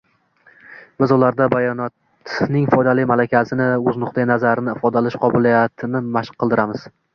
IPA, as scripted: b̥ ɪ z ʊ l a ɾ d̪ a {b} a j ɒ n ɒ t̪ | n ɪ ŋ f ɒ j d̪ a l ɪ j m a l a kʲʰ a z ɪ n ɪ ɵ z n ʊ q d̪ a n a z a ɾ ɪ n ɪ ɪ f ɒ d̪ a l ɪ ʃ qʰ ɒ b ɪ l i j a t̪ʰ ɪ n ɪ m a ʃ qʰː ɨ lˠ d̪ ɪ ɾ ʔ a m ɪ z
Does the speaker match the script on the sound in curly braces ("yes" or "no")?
yes